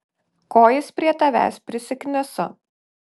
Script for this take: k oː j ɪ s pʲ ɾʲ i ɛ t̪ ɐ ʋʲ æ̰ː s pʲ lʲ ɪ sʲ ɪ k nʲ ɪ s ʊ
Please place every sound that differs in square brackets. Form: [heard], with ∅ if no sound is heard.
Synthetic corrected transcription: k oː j ɪ s pʲ ɾʲ i ɛ t̪ ɐ ʋʲ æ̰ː s pʲ [ɾʲ] ɪ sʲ ɪ k nʲ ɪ s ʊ